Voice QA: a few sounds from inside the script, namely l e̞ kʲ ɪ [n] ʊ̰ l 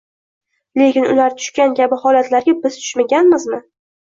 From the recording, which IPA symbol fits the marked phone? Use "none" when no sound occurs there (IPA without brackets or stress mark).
n